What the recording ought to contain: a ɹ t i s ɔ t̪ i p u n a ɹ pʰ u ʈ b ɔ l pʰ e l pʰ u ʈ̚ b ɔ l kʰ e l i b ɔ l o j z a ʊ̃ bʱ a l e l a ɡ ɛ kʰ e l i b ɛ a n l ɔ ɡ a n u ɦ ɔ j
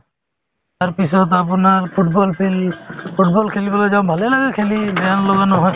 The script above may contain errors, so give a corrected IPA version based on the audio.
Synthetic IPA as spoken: a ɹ p i s ɔ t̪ a p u n a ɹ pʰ u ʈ b ɔ l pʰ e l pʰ u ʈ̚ b ɔ l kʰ e l i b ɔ l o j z a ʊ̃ bʱ a l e l a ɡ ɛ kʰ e l i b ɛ a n l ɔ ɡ a n ɔ ɦ ɔ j

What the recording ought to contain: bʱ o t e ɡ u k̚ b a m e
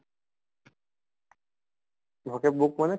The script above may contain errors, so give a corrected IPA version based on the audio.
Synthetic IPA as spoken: bʱ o k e b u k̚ m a n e

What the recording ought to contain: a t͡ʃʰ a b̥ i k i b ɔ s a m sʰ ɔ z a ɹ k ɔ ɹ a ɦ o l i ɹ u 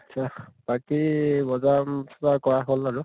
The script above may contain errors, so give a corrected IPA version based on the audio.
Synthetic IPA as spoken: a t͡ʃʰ a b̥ a k i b ɔ z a m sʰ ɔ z a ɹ k ɔ ɹ a ɦ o l a ɹ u

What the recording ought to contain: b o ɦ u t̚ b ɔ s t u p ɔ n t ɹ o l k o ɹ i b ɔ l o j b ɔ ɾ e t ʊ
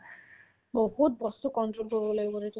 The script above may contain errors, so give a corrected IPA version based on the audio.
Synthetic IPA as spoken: b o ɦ u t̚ b ɔ s t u k ɔ n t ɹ o l k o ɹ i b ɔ l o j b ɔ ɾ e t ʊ

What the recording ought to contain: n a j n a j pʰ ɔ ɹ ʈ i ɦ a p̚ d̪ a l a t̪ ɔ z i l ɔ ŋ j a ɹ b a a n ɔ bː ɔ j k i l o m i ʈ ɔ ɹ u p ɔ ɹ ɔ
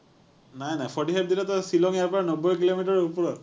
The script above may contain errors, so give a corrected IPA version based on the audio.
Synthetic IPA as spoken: n a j n a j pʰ ɔ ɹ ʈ i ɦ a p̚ d̪ i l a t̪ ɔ s i l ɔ ŋ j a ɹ p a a n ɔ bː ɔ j k i l o m i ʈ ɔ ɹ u p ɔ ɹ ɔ

